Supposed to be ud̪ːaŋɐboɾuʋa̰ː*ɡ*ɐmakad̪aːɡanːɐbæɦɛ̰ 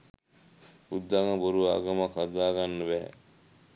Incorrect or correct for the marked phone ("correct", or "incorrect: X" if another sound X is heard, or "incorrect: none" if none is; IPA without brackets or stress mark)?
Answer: correct